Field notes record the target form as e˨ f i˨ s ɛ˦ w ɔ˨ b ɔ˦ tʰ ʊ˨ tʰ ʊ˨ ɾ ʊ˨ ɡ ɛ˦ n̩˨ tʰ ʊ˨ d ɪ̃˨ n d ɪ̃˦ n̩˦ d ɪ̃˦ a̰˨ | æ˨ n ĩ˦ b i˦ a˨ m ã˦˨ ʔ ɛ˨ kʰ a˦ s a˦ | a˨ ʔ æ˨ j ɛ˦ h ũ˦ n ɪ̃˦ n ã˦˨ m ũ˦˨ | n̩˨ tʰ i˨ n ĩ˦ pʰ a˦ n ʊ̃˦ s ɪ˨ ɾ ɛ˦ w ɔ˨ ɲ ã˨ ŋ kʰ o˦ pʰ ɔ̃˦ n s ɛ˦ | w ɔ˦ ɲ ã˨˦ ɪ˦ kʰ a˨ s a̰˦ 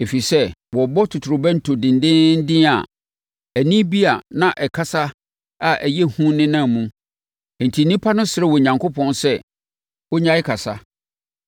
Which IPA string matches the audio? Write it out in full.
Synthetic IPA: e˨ f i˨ s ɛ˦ w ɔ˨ b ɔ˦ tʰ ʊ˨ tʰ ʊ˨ ɾ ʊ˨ b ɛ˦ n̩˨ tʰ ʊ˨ d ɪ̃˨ n d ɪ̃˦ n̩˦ d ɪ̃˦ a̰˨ | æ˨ n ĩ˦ b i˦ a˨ n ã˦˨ ʔ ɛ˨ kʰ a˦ s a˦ | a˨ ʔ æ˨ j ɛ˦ h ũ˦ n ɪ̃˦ n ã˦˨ m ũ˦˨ | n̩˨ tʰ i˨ n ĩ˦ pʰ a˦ n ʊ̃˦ s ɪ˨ ɾ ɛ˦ w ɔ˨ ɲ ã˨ ŋ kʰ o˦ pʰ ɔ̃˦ n s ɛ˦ | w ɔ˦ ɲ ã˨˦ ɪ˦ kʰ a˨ s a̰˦